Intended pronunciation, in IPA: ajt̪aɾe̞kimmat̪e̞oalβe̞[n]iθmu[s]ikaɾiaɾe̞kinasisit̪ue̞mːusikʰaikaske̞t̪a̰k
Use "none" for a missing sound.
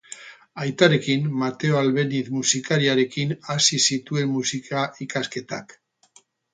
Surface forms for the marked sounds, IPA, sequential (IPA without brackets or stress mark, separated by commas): n, s